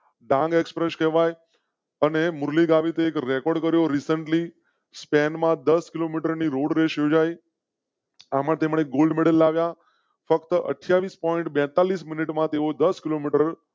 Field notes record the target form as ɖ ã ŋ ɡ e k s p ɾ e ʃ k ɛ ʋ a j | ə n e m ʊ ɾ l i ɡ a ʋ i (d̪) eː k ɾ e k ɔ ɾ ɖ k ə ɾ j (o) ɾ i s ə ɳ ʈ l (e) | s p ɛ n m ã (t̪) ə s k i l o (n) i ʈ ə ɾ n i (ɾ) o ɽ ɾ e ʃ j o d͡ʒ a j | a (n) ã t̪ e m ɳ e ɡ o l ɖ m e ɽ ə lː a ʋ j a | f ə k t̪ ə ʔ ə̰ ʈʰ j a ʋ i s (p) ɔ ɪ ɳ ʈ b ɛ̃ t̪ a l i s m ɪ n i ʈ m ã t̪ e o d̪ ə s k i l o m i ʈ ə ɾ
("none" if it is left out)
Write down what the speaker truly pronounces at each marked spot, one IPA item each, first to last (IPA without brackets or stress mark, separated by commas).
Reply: t̪, o, i, d̪, m, ɾ, m, p